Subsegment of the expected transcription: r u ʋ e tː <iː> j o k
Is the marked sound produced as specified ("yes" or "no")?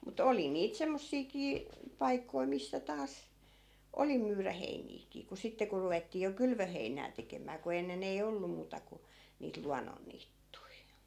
yes